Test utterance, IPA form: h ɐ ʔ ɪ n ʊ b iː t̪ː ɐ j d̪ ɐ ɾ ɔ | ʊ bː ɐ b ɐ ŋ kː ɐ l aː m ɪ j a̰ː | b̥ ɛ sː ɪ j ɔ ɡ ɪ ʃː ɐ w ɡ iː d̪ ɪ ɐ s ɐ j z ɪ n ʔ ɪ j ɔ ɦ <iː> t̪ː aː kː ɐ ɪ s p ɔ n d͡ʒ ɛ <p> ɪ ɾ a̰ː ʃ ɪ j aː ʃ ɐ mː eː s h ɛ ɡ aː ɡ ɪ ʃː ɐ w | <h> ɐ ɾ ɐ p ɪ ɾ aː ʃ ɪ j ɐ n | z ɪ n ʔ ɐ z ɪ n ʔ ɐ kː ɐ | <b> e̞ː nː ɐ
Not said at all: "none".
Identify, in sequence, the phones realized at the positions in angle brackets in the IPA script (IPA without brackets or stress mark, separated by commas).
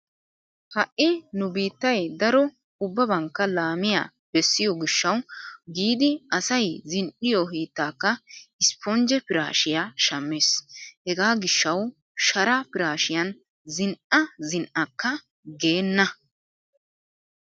iː, p, ʃ, ɡ